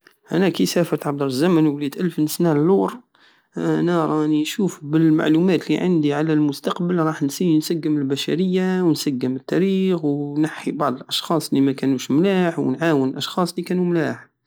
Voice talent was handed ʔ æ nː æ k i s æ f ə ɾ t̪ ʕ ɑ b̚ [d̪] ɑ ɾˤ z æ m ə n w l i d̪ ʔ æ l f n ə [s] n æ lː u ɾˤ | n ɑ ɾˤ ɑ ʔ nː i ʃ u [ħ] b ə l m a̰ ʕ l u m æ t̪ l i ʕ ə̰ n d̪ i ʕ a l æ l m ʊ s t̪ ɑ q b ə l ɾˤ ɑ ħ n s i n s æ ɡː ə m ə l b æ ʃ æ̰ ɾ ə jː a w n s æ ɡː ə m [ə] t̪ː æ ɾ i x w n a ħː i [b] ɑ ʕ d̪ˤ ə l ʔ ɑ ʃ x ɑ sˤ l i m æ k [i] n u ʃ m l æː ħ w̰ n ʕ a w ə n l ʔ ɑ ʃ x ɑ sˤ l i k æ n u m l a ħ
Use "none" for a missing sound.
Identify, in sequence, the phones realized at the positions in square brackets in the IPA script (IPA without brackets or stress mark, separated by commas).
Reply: d̪, s, f, ə, b, æ